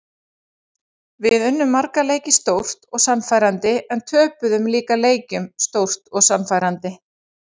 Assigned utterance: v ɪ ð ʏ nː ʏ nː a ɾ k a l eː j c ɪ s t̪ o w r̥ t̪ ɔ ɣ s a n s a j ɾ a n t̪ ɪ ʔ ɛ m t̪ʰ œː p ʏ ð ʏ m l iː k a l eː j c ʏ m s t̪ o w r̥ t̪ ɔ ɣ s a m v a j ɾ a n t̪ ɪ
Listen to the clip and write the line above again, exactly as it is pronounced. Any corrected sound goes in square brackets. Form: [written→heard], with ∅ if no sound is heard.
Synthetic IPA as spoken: v ɪ ð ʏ nː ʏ [nː→mː] a ɾ k a l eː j c ɪ s t̪ o w r̥ t̪ ɔ ɣ s a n [s→f] a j ɾ a n t̪ ɪ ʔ ɛ [m→n] t̪ʰ œː p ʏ ð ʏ m l iː k a l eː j c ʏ m s t̪ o w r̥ t̪ ɔ ɣ s a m [v→f] a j ɾ a n t̪ ɪ

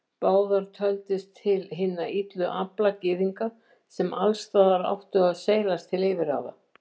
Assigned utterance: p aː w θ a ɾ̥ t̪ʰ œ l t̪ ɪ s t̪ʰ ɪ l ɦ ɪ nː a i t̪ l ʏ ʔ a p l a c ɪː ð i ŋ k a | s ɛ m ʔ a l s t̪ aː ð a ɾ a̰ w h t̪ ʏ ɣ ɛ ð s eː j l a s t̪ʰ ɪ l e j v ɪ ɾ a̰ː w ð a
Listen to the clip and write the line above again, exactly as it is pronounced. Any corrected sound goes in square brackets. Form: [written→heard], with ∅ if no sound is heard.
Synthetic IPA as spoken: p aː w [θ→ð] a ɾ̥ t̪ʰ œ l t̪ ɪ s t̪ʰ ɪ l ɦ ɪ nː a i t̪ l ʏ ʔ a p l a c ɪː ð i ŋ k a | s ɛ m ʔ a l s t̪ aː ð a ɾ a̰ w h t̪ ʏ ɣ [ɛ→a] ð s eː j l a s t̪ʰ ɪ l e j v ɪ ɾ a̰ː w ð a

